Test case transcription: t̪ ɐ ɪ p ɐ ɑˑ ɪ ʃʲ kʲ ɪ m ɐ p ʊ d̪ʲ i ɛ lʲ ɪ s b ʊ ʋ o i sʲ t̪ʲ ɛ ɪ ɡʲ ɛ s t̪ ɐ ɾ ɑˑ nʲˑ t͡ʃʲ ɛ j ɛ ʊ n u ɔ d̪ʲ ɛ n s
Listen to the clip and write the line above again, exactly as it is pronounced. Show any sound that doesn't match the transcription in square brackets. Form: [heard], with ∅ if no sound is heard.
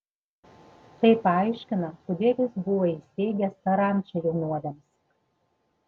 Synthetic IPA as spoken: t̪ ɐ ɪ p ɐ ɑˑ ɪ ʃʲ kʲ ɪ [n] ɐ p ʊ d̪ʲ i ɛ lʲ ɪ s b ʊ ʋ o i sʲ t̪ʲ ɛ ɪ ɡʲ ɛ s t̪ ɐ ɾ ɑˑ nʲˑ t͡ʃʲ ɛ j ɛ ʊ n u ɔ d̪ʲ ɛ [m] s